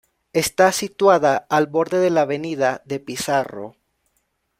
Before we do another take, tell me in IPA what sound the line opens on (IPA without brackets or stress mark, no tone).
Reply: e̞